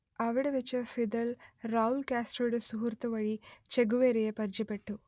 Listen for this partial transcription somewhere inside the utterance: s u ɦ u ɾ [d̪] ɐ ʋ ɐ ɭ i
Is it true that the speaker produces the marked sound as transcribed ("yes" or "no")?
no